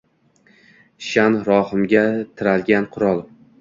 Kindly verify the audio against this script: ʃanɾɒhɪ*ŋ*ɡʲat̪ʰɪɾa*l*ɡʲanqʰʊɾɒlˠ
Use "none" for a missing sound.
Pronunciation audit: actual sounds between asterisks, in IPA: m, l

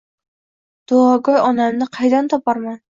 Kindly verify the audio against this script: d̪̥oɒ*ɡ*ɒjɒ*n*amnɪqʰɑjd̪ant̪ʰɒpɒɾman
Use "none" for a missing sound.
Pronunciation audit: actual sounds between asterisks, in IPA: ɡ, n

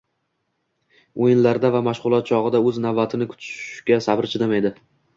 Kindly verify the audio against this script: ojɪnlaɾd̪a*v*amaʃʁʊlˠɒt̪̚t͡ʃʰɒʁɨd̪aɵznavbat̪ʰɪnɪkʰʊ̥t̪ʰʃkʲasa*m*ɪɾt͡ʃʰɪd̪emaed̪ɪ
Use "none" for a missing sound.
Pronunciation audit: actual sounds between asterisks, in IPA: v, b

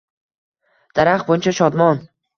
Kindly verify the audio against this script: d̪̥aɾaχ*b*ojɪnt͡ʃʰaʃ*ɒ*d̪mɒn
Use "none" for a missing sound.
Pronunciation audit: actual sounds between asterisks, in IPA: b, ɒ

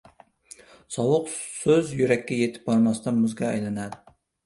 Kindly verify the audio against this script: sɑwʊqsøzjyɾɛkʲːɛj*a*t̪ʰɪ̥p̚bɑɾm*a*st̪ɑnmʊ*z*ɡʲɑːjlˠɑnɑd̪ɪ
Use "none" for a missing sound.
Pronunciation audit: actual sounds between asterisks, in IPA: e, ɑ, z

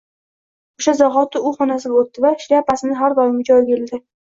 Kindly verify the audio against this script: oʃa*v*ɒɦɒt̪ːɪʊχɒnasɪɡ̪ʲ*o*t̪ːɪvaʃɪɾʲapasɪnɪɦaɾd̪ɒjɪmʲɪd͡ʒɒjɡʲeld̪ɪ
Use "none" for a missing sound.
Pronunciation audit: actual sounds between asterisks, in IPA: z, o

